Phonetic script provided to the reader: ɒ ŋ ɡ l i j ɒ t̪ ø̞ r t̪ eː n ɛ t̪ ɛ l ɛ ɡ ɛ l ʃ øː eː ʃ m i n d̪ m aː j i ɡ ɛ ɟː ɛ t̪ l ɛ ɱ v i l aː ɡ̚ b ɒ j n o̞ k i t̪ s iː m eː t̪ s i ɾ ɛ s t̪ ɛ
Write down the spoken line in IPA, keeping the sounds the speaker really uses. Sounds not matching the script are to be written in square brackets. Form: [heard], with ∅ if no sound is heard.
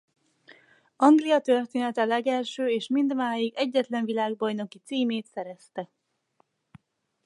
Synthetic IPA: ɒ ŋ ɡ l i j ɒ t̪ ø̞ r t̪ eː n ɛ t̪ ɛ l ɛ ɡ ɛ l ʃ øː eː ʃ m i n d̪ m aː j i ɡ ɛ ɟː ɛ t̪ l ɛ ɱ v i l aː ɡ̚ b ɒ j n o̞ k i t̪ s iː m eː t̪ s [ɛ] ɾ ɛ s t̪ ɛ